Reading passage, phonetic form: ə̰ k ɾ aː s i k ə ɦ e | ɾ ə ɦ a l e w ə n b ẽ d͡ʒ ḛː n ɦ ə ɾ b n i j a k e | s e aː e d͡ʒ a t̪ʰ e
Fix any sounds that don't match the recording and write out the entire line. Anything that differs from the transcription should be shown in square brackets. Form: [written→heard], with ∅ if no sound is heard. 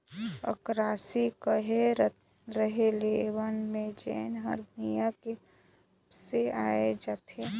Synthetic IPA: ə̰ k ɾ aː s i k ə ɦ e | ɾ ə ɦ [a→e] l e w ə n [b→m] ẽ d͡ʒ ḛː n ɦ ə ɾ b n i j a k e | s e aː e d͡ʒ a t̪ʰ e